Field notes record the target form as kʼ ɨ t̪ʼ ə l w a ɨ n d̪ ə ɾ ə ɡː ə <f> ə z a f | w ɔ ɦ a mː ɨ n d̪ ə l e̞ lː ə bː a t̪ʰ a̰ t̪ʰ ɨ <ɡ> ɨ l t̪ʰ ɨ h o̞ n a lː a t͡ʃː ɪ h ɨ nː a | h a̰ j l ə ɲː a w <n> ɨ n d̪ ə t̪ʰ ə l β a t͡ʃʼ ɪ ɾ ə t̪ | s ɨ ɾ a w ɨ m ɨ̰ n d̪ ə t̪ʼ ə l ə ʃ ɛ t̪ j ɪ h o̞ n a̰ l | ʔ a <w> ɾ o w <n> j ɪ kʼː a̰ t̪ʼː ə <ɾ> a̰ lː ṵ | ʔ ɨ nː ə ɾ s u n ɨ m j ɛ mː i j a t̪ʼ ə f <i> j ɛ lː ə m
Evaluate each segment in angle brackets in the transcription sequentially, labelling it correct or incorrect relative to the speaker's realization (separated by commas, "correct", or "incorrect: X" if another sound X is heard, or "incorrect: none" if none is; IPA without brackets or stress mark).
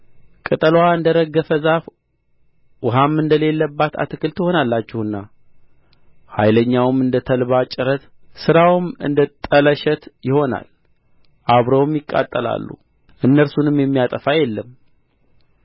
correct, incorrect: k, incorrect: m, incorrect: β, incorrect: m, incorrect: l, incorrect: a